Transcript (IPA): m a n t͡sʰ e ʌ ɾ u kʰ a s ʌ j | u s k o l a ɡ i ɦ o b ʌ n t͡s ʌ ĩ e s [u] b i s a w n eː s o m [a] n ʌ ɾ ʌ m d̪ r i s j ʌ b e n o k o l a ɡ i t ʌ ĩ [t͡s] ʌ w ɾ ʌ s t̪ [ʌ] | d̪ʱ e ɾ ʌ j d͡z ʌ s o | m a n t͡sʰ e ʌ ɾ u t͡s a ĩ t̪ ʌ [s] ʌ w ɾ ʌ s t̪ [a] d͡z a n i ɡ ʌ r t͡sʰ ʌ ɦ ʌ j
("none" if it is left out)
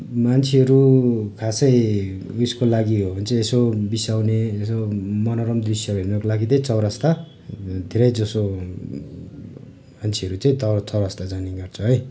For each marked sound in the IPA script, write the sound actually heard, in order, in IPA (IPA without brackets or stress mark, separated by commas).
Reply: o, ʌ, t͡s, a, t͡s, a